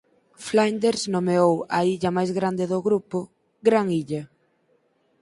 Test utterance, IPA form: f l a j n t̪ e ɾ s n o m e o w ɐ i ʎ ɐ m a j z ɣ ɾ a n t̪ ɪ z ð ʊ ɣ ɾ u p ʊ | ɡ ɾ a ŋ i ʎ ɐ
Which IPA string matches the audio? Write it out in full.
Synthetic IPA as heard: f l a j n d̪ e ɾ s n o m e o w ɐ i ʎ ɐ m a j z ɣ ɾ a n d̪ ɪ ð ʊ ɣ ɾ u p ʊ | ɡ ɾ a ŋ i ʎ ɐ

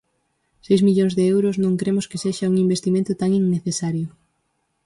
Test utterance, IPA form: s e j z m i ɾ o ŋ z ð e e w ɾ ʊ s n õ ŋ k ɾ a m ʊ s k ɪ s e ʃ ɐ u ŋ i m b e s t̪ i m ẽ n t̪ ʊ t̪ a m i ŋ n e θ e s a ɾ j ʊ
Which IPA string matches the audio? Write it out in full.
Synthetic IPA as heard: s e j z m i ʎ o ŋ z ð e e w ɾ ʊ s n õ ŋ k ɾ e m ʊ s k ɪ s e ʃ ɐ u ŋ i m b e s t̪ i m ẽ n t̪ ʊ t̪ a ŋ i ŋ n e θ e s a ɾ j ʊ

